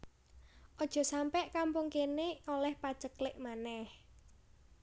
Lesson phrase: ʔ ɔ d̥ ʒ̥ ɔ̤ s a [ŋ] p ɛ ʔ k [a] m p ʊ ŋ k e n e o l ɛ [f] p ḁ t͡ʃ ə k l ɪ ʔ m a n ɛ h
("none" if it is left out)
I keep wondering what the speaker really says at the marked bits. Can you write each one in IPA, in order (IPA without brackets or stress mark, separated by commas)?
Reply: m, a, h